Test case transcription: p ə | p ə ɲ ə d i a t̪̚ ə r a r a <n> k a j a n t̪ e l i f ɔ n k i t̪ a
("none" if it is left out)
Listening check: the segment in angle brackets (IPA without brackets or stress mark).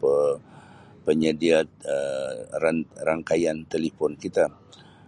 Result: ŋ